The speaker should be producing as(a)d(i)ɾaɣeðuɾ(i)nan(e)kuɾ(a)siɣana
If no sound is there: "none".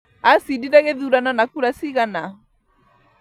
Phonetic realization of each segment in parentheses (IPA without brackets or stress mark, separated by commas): i, i, a, a, a